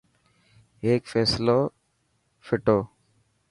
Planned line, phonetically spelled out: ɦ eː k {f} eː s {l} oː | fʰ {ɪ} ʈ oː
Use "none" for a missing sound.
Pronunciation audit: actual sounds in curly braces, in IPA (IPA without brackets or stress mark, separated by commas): f, l, ɪ